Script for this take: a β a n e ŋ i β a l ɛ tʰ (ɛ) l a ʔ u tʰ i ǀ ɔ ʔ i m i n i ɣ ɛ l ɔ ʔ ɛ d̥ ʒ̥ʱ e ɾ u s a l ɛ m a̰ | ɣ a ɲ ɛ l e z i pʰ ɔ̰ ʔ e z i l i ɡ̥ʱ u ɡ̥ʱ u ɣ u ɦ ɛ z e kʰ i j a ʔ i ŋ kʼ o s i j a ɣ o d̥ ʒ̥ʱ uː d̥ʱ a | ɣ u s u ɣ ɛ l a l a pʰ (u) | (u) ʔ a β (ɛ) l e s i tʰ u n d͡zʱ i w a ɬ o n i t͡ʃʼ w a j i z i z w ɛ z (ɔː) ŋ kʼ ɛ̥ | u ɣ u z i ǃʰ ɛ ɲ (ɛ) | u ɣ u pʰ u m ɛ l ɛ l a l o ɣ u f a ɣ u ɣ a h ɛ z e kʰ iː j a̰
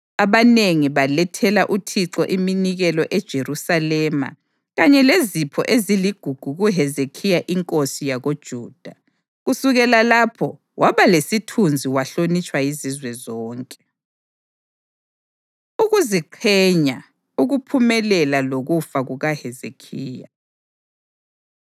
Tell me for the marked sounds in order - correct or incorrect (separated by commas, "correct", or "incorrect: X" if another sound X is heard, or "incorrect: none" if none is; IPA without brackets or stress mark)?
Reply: correct, incorrect: ɔ, incorrect: w, incorrect: a, correct, incorrect: a